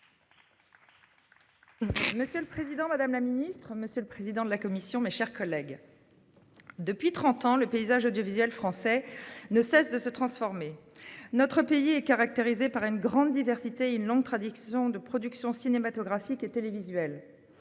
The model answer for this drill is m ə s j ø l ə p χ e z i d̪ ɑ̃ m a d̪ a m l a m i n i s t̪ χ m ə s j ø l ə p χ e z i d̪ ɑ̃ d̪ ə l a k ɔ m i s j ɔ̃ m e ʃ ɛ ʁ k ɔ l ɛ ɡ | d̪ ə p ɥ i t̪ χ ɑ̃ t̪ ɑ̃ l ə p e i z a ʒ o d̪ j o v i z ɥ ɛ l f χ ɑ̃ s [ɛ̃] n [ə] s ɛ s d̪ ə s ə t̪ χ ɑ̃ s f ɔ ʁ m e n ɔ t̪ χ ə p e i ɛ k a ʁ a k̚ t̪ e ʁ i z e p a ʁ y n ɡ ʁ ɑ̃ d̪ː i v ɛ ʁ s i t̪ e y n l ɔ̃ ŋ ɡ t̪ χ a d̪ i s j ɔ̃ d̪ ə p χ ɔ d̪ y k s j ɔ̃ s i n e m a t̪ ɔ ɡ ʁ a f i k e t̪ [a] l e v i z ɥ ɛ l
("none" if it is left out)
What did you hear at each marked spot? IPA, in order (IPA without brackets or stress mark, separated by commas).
ɛ, ə, e